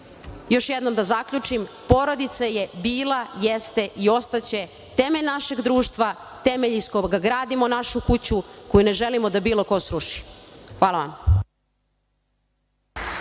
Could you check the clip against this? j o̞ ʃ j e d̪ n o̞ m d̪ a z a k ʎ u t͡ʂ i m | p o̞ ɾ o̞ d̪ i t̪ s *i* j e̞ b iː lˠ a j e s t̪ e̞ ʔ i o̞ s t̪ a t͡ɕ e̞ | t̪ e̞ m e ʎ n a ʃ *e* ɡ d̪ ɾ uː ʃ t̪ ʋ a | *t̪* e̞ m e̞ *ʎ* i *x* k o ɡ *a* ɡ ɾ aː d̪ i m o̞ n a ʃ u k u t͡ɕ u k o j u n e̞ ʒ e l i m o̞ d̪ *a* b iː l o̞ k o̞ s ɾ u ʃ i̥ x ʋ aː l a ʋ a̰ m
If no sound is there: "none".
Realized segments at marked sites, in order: a, e, t̪, ʎ, s, a, a

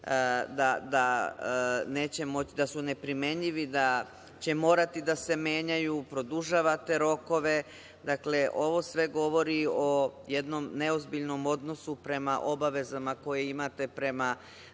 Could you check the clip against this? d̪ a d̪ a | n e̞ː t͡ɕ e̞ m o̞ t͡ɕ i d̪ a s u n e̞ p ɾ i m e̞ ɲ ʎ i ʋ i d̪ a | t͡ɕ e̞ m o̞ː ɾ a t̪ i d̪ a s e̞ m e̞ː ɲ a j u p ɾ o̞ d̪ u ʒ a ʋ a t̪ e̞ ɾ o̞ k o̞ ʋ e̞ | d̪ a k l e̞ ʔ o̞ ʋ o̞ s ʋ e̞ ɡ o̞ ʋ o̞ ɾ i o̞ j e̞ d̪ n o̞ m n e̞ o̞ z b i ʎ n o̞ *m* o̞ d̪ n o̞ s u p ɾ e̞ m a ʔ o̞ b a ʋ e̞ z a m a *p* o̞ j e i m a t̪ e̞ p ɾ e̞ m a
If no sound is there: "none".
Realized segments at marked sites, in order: m, k

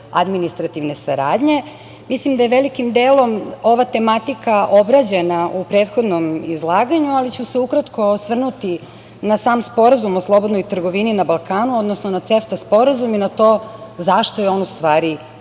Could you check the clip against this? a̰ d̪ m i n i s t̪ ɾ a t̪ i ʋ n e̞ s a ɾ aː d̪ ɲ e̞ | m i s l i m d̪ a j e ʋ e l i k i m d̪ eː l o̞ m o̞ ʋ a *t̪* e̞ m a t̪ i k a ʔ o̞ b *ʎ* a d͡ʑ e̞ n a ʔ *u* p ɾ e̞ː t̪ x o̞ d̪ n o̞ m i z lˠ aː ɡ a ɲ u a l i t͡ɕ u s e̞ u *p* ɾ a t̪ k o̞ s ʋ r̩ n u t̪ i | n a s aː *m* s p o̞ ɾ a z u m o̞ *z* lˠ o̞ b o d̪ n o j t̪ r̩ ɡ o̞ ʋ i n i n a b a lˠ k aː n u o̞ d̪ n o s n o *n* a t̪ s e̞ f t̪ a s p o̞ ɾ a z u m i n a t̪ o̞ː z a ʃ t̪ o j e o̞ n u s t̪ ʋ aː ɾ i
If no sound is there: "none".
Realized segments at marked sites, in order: t̪, ɾ, u, k, m, s, n

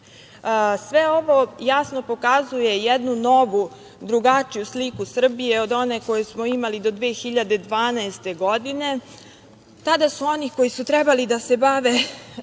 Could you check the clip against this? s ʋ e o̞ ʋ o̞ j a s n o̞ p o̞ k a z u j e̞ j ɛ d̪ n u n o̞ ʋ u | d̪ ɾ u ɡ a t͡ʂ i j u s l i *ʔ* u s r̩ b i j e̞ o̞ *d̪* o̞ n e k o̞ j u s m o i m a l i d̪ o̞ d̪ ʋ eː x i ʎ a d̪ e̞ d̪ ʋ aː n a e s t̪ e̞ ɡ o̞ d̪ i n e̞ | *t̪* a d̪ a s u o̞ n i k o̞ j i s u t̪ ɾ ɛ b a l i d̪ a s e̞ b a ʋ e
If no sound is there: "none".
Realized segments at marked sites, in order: k, d̪, t̪

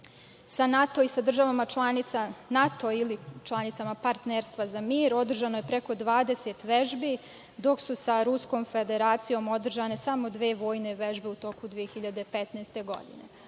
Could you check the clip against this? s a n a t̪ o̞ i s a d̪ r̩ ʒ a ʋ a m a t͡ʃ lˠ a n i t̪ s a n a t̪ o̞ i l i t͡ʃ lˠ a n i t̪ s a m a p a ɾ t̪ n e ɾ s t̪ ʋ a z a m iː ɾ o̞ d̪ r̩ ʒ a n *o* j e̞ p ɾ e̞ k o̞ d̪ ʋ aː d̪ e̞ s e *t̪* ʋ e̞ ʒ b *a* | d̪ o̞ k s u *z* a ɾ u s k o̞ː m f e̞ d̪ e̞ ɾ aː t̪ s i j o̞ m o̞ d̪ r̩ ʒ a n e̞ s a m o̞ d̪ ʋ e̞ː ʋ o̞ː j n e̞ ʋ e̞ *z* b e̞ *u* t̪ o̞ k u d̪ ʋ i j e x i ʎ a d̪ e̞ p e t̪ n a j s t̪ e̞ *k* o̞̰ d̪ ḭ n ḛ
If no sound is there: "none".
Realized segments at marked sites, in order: o, t̪, i, s, ʒ, u, ɡ

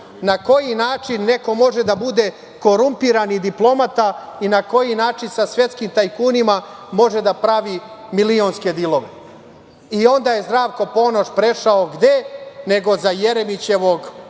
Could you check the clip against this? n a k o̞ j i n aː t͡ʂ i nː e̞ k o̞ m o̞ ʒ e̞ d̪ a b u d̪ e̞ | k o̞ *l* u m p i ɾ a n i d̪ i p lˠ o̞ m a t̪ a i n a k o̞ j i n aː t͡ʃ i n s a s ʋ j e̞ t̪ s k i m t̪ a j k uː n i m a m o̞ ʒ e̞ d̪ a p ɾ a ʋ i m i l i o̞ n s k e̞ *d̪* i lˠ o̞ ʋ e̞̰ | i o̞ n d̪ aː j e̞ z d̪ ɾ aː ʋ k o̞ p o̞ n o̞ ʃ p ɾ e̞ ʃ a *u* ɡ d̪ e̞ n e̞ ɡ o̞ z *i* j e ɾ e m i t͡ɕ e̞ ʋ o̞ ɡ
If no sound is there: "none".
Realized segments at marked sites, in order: ɾ, d̪, o, a

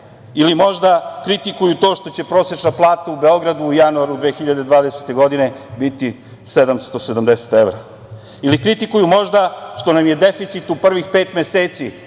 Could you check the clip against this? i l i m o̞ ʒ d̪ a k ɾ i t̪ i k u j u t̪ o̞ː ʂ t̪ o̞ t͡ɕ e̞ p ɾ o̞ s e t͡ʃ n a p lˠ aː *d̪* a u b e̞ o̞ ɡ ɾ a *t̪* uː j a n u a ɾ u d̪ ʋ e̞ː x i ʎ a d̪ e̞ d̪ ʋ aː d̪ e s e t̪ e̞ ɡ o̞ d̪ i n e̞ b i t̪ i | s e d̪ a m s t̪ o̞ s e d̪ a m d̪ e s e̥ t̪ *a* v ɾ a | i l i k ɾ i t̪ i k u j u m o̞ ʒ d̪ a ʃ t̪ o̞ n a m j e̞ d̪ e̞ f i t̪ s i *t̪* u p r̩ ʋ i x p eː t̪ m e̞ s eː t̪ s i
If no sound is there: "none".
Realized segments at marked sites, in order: t̪, d̪, e, t̪

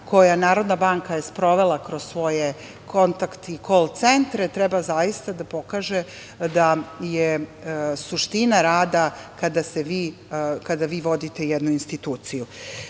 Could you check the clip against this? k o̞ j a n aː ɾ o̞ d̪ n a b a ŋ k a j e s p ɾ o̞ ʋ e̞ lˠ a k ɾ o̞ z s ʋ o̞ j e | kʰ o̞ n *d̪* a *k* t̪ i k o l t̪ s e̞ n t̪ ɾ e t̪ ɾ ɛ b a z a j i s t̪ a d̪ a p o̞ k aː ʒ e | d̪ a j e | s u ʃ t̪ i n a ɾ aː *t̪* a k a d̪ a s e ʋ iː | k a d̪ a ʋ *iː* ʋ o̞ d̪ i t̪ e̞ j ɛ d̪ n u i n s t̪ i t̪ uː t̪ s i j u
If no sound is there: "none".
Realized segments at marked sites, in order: t̪, k, d̪, iː

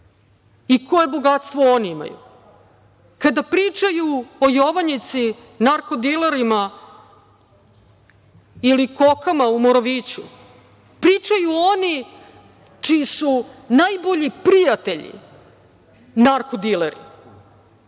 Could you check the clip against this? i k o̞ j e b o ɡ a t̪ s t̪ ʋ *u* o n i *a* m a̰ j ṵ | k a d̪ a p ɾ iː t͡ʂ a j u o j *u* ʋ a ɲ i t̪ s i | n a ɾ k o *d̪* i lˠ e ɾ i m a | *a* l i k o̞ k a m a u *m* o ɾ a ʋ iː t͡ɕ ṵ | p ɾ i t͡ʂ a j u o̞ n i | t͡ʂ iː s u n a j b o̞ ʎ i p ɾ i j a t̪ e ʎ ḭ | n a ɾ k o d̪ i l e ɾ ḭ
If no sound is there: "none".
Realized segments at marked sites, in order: o, i, o, d̪, i, m

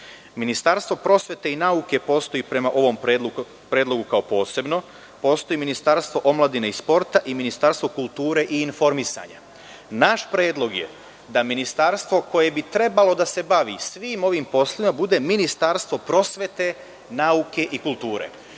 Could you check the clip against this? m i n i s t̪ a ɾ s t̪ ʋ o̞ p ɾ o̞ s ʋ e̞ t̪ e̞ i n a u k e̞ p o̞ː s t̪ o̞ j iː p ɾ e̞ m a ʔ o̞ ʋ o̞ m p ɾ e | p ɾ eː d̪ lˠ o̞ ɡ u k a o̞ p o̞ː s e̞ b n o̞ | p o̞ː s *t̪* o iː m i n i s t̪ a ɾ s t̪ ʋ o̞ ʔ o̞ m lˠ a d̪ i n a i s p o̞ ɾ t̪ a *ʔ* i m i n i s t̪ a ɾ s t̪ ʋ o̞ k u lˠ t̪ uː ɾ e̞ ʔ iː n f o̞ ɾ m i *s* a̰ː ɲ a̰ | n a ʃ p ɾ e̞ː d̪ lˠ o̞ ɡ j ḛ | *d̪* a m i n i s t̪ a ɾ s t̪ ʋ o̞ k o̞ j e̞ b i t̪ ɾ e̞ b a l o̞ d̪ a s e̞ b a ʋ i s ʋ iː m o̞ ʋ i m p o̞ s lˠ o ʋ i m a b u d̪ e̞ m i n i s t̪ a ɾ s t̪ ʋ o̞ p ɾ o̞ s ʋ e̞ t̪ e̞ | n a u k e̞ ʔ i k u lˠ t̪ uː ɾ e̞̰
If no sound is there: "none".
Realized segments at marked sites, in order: t̪, ʔ, s, d̪

